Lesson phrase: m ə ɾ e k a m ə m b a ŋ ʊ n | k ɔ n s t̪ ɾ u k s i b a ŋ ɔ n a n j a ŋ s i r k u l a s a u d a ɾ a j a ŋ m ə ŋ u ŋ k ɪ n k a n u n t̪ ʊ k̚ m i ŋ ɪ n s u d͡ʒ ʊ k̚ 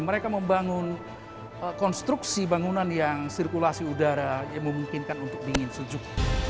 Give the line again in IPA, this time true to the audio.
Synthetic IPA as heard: m ə ɾ e k a m ə m b a ŋ ʊ n | k ɔ n s t̪ ɾ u k s i b a ŋ u n a n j a ŋ s i r k u l a s i u d a ɾ a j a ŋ m ə m u ŋ k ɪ n k a n u n t̪ ʊ k̚ b i ŋ ɪ n s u d͡ʒ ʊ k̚